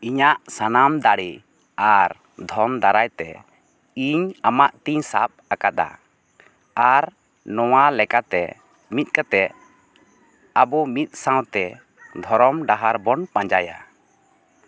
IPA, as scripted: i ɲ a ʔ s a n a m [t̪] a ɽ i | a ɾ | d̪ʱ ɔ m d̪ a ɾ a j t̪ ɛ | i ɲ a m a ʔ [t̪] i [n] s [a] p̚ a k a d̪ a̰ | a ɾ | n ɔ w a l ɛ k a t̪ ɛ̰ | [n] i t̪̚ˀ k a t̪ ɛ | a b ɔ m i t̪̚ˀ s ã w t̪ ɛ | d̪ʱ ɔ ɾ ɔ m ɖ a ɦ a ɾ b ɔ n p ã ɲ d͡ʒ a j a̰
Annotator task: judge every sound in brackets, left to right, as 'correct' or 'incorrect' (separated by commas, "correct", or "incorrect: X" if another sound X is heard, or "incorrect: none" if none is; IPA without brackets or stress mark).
incorrect: d̪, correct, incorrect: ɲ, correct, incorrect: m